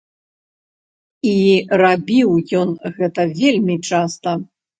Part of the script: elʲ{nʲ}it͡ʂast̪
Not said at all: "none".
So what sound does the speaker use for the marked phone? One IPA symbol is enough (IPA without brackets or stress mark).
mʲ